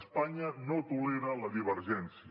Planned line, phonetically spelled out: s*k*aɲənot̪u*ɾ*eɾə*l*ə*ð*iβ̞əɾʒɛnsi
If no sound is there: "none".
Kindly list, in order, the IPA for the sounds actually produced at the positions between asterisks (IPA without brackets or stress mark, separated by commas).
p, l, l, ð